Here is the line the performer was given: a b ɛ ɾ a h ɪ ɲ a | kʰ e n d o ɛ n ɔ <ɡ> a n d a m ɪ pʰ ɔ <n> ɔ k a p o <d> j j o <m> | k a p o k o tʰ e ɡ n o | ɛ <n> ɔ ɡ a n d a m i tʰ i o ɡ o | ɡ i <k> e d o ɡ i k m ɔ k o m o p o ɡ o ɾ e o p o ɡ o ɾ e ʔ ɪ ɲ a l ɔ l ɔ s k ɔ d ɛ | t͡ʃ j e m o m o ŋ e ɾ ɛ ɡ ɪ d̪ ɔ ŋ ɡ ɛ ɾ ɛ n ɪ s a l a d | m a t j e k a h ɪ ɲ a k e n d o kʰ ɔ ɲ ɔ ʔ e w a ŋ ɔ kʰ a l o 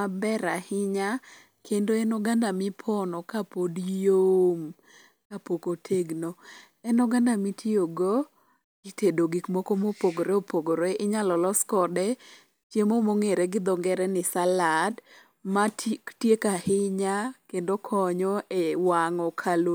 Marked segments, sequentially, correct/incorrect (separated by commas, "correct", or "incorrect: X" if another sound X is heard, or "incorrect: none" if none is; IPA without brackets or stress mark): correct, correct, correct, correct, correct, incorrect: t